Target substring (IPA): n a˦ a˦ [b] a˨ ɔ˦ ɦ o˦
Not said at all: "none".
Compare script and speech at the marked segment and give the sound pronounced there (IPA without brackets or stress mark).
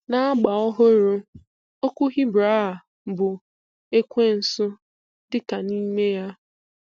ɡ͡b